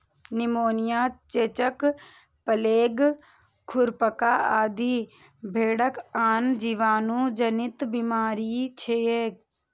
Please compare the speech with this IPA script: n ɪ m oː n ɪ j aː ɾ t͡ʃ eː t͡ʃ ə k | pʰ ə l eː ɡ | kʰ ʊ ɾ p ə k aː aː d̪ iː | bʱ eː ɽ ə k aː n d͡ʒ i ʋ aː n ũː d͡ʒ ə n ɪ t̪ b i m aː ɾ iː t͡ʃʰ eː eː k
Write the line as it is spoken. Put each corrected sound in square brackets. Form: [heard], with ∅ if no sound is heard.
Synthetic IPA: n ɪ m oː n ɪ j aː [∅] t͡ʃ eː t͡ʃ ə k | [p] ə l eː ɡ | kʰ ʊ ɾ p ə k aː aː d̪ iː | bʱ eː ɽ ə k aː n d͡ʒ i ʋ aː n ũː d͡ʒ ə n ɪ t̪ b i m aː ɾ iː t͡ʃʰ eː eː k